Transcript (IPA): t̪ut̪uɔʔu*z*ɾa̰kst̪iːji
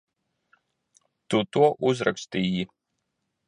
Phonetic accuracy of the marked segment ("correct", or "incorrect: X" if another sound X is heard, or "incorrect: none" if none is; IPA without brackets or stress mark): correct